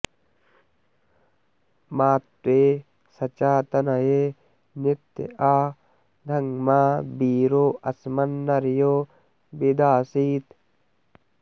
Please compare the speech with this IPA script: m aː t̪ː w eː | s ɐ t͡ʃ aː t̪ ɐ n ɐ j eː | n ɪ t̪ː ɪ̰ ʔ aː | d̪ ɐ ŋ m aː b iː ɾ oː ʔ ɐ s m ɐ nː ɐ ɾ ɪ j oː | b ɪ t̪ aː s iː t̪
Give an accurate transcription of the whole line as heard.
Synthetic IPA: m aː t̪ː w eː | s ɐ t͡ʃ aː t̪ ɐ n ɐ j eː | n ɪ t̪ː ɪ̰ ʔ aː | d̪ ɐ ŋ m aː b iː ɾ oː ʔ ɐ s m ɐ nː ɐ ɾ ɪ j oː | b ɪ d̪ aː s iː t̪